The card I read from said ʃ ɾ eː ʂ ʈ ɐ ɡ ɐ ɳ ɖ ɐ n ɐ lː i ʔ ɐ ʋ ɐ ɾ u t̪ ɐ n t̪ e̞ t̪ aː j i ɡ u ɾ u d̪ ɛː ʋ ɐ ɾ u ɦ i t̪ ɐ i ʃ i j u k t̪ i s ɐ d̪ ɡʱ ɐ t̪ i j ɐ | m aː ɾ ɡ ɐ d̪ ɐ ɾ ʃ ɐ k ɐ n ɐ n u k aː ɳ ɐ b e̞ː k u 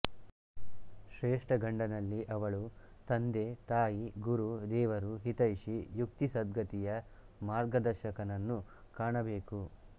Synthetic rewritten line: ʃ ɾ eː ʂ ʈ ɐ ɡ ɐ ɳ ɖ ɐ n ɐ lː i ʔ ɐ ʋ ɐ ɭ u t̪ ɐ n d̪ e̞ t̪ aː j i ɡ u ɾ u d̪ ɛː ʋ ɐ ɾ u ɦ i t̪ ɐ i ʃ i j u k t̪ i s ɐ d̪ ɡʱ ɐ t̪ i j ɐ | m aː ɾ ɡ ɐ d̪ ɐ ɾ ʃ ɐ k ɐ n ɐ nː u k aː ɳ ɐ b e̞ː k u